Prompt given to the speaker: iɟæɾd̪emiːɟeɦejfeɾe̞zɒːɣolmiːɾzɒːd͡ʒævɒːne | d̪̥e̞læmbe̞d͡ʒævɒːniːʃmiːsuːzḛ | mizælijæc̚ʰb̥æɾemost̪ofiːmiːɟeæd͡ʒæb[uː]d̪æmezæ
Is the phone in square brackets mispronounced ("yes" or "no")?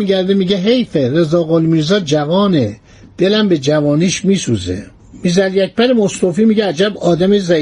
yes